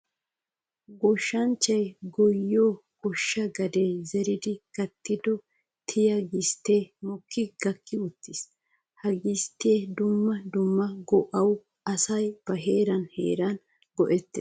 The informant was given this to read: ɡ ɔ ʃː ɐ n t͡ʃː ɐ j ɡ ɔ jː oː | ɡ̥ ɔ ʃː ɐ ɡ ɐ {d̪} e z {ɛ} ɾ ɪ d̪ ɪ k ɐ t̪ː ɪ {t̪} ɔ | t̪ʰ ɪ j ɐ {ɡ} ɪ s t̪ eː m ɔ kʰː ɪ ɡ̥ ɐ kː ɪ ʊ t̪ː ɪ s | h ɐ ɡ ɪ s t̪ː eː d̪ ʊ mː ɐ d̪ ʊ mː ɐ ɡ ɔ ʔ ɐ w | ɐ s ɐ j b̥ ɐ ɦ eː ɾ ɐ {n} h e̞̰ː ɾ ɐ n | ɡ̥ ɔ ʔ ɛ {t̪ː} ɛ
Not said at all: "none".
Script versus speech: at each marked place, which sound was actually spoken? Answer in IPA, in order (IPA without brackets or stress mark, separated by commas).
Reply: d̪, ɛ, d̪, ɡ, n, t̪ː